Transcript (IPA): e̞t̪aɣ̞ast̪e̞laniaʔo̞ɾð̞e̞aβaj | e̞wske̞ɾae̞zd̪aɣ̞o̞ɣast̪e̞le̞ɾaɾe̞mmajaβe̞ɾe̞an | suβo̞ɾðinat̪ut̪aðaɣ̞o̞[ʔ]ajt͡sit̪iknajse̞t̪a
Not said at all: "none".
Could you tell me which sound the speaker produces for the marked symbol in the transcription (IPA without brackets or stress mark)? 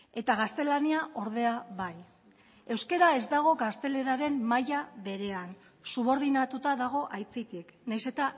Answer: ʔ